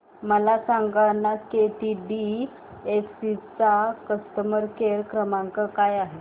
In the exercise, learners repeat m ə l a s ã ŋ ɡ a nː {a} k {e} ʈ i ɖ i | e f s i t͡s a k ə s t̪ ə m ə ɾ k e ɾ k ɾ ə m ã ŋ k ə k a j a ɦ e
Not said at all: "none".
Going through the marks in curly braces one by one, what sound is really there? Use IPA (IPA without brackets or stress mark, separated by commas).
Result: a, e